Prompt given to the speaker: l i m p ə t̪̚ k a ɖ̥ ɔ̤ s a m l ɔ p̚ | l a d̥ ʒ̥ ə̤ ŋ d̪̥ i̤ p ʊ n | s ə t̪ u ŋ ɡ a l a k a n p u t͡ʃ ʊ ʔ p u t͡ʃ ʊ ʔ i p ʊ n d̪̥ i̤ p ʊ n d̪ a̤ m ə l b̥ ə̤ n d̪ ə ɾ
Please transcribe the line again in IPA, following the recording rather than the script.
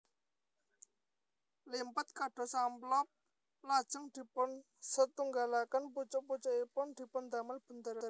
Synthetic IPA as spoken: l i m p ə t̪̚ k a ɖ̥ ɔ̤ s a m l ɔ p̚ | l a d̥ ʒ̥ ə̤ ŋ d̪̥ i̤ p ʊ n | s ə t̪ u ŋ ɡ a l a k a n p u t͡ʃ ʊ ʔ p u t͡ʃ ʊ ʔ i p ʊ n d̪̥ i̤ p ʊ n d̪ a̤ m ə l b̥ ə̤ n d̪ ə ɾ